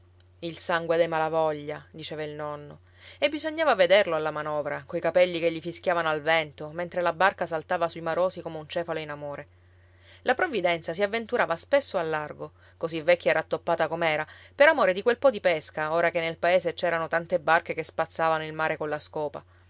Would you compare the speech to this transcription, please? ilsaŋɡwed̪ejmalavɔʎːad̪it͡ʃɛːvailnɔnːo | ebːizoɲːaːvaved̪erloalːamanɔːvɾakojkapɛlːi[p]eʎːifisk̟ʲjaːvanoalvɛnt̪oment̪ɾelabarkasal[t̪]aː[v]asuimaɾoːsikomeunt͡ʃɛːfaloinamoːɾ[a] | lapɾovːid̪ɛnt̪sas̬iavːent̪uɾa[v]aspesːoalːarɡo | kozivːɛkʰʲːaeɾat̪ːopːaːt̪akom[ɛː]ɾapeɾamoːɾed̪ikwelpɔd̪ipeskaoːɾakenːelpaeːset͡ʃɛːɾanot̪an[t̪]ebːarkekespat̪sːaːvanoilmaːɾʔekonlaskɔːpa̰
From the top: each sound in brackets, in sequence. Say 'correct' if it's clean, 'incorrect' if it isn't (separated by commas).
incorrect, correct, correct, incorrect, correct, correct, correct